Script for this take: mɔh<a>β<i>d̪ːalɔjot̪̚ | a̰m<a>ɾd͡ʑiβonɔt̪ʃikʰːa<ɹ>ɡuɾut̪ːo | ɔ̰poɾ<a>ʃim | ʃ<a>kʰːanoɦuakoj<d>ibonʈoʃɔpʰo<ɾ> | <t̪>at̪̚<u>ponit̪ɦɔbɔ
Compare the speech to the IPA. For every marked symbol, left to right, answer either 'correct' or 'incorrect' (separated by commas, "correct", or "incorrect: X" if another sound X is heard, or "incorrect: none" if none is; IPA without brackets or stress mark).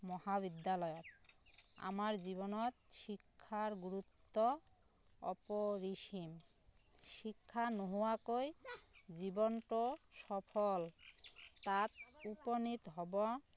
correct, correct, correct, incorrect: ɾ, incorrect: i, incorrect: i, incorrect: d͡ʑ, incorrect: l, correct, correct